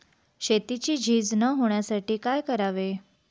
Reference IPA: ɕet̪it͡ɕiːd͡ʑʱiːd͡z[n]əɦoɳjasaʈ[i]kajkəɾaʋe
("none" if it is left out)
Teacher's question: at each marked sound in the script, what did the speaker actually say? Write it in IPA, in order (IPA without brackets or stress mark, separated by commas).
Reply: n, iː